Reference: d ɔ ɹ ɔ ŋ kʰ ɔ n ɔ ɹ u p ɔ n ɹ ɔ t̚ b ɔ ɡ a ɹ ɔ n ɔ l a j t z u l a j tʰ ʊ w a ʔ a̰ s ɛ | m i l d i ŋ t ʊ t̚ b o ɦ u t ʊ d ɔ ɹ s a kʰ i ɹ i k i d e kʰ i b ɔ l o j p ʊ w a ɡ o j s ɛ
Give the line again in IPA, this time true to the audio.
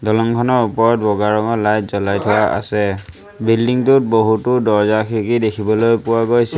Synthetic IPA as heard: d ɔ l ɔ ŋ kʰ ɔ n ɔ ɹ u p ɔ ɹ ɔ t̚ b ɔ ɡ a ɹ ɔ ŋ ɔ l a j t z ɔ l a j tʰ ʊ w a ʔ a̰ s ɛ | b i l d i ŋ t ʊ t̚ b o ɦ u t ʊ d ɔ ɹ z a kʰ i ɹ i k i d e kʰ i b ɔ l o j p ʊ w a ɡ o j s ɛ